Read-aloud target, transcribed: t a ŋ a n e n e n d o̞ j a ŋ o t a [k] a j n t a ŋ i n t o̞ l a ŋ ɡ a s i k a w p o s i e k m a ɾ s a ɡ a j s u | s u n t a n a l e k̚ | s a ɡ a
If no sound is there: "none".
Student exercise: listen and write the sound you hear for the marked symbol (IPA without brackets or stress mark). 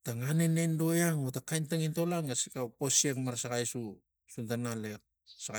k